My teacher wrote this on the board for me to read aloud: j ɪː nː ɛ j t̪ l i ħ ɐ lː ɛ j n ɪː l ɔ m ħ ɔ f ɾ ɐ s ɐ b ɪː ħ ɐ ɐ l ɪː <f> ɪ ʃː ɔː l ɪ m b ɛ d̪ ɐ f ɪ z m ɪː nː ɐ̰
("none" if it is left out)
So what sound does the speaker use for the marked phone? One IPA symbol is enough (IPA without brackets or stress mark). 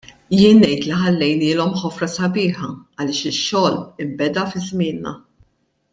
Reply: ʃ